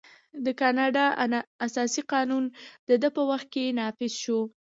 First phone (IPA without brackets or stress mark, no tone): d̪